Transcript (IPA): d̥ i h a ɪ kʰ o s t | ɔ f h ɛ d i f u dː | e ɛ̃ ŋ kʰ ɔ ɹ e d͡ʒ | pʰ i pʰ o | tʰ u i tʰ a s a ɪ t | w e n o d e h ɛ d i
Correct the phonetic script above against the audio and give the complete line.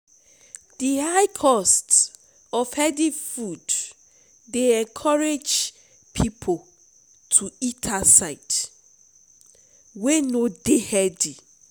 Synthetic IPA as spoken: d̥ i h a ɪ kʰ ɔ s t | ɔ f h ɛ d i f u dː | e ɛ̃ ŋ kʰ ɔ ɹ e d͡ʒ | pʰ i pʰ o | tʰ u i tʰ a s a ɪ t | w e n o d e h ɛ d i